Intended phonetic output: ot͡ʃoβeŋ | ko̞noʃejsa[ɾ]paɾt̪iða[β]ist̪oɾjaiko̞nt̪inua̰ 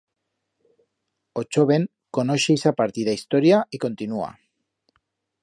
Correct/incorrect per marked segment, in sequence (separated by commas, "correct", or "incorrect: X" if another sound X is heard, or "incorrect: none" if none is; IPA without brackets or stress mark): incorrect: none, incorrect: none